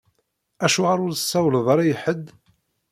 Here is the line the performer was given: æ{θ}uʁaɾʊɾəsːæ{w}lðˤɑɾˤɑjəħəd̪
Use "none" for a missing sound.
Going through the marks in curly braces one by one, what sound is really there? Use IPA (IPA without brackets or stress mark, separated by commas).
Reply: ʃ, w